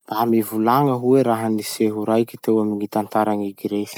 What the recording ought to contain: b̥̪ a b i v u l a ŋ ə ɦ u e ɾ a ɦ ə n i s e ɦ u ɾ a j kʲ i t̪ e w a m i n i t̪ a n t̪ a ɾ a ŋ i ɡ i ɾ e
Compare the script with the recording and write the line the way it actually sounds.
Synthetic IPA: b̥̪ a m i v u l a ŋ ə ɦ u e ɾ a ɦ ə n i s e ɦ u ɾ a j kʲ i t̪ e w a m i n i t̪ a n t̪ a ɾ a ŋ i ɡ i ɾ e

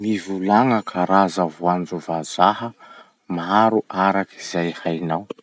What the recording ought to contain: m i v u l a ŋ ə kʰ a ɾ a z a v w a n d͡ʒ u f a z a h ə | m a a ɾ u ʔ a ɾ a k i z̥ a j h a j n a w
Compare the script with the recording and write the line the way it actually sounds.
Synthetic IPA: m i v u l a ŋ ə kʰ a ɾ a z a v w a n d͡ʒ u v a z a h ə | m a a ɾ u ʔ a ɾ a k i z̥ a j h a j n a w

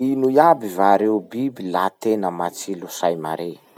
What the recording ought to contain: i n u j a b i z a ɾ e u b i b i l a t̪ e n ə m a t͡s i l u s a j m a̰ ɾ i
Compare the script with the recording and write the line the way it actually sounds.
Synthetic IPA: i n u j a b i v a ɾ e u b i b i l a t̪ e n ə m a t͡s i l u s a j m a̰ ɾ e

